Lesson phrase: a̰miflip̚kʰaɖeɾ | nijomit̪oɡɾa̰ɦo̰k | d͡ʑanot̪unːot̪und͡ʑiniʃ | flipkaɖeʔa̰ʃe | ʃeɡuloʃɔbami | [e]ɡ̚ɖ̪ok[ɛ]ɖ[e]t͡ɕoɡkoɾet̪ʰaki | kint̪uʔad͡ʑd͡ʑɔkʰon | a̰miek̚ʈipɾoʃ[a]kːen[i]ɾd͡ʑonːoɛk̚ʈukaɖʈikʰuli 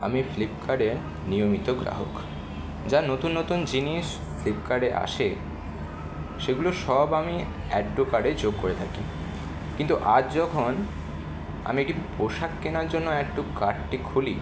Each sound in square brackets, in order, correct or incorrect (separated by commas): incorrect, incorrect, correct, correct, incorrect